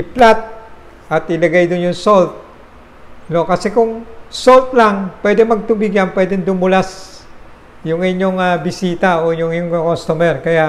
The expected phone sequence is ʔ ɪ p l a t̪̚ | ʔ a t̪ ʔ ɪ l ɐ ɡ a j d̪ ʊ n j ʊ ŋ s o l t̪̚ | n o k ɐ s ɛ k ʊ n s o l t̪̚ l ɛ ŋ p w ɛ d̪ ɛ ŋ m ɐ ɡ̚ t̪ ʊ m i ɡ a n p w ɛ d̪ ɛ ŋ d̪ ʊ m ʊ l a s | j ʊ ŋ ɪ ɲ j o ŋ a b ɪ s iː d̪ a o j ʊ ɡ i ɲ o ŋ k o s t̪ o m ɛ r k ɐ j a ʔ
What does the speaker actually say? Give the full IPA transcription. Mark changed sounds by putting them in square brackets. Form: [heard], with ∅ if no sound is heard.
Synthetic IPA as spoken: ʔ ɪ p l a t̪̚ | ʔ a t̪ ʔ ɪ l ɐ ɡ a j d̪ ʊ n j ʊ ŋ s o l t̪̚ | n o k ɐ s ɛ k ʊ [ŋ] s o l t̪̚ l [a] ŋ p w ɛ d̪ ɛ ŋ m ɐ ɡ̚ t̪ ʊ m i ɡ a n p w ɛ d̪ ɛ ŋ d̪ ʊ m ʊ l a s | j ʊ ŋ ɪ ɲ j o ŋ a b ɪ s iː [t̪] a o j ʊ [ŋ] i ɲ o ŋ k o s t̪ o m ɛ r k ɐ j a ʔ